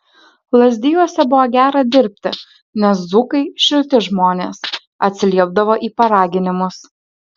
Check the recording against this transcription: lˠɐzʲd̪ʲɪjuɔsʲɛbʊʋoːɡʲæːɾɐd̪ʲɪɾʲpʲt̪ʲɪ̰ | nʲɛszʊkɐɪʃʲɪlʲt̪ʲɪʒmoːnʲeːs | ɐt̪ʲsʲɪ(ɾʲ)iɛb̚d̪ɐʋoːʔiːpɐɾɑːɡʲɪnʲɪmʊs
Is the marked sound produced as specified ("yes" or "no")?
no